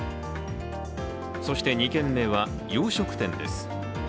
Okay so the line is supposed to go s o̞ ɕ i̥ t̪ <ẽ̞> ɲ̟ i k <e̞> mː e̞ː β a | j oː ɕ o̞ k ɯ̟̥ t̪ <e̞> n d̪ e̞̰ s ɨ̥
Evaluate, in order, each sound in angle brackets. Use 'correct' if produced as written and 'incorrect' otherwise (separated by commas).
incorrect, incorrect, incorrect